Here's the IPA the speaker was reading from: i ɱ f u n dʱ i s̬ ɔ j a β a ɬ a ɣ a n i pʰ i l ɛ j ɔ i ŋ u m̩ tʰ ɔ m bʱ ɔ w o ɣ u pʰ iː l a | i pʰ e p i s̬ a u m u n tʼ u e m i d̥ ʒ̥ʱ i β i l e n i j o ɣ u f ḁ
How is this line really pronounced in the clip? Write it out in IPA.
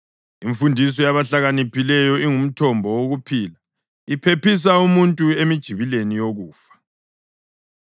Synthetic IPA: i ɱ f u n dʱ i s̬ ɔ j a β a ɬ a ɣ a n i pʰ i l ɛ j ɔ i ŋ u m̩ tʰ ɔ m bʱ ɔ w o ɣ u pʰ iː l a | i pʰ e p i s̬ a u m u n tʼ u e m i d̥ ʒ̥ʱ i β i l e n i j o ɣ uː f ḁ